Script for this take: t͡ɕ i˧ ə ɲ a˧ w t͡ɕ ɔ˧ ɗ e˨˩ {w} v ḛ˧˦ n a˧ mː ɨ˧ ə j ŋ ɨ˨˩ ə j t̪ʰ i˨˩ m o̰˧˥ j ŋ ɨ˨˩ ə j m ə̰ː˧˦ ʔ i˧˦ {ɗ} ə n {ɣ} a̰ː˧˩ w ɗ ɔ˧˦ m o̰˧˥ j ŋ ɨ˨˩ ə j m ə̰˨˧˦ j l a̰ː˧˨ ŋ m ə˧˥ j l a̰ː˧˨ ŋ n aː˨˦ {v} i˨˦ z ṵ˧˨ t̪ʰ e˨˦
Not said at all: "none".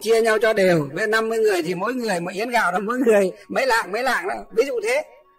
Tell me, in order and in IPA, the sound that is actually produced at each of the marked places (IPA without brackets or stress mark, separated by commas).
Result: w, none, ɣ, v